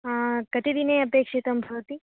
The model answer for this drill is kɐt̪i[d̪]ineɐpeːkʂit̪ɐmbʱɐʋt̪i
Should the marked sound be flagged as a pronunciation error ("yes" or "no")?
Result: no